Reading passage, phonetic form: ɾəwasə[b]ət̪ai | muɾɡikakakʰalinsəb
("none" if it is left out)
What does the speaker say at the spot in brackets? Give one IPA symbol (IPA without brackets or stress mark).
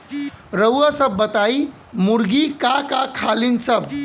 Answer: bː